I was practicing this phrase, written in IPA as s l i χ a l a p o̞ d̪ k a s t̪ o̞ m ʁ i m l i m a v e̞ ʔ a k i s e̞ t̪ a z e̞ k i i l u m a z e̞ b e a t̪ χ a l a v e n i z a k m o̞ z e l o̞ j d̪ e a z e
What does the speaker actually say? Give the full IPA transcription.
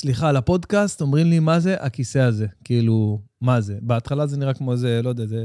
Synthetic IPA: s l i χ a l a p o̞ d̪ k a s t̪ o̞ m ʁ i m l i m a z e̞ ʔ a k i s e̞ a z e̞ k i i l u m a z e̞ b e a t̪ χ a l a z e n i ʁ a k m o̞ z e l o̞ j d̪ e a z e